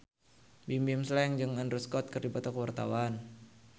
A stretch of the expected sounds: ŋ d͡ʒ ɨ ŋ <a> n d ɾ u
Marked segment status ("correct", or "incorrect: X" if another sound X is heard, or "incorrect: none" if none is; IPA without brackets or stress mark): correct